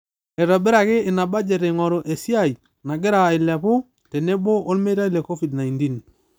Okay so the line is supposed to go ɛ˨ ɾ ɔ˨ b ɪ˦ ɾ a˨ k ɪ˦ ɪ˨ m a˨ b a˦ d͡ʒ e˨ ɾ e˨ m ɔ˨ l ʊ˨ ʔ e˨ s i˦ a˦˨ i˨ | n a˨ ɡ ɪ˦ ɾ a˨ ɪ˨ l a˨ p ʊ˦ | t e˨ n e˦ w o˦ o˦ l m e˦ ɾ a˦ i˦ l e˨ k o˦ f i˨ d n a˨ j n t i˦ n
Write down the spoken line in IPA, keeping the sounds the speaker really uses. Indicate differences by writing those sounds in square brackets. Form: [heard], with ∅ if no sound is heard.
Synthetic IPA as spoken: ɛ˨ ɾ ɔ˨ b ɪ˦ ɾ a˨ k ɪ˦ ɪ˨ [n] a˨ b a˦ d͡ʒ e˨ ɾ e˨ [ŋ] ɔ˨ [ɾ] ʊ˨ ʔ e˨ s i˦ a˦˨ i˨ | n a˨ ɡ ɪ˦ ɾ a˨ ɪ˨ l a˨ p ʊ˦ | t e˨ n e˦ [b] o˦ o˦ l m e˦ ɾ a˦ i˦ l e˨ k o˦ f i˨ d n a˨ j n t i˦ n